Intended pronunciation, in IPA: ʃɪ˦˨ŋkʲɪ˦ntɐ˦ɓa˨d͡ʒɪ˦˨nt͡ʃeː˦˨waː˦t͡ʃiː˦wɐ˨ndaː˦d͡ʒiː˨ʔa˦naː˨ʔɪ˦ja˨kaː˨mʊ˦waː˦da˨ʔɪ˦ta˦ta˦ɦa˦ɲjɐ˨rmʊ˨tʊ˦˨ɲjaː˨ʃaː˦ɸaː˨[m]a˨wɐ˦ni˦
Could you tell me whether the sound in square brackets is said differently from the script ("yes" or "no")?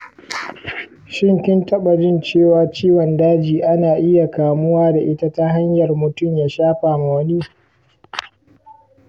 no